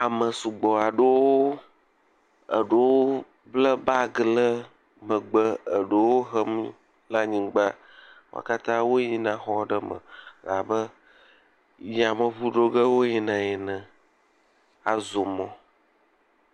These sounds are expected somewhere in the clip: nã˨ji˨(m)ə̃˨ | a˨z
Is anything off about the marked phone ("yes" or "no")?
yes